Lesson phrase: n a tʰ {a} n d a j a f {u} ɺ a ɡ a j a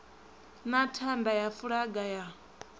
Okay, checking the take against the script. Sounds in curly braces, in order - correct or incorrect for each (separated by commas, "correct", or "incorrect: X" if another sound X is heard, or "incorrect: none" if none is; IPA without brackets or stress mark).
correct, correct